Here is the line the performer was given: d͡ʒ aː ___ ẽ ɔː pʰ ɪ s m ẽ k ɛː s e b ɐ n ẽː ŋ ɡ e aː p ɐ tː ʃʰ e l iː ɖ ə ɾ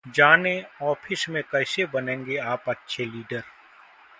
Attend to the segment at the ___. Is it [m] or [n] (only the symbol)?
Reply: n